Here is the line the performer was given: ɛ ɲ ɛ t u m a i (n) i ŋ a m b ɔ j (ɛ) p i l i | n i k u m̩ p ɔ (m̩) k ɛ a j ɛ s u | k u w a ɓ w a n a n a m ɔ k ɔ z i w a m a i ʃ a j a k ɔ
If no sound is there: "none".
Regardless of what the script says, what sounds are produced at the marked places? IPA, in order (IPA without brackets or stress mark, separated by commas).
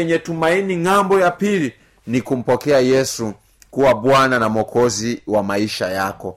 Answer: n, a, none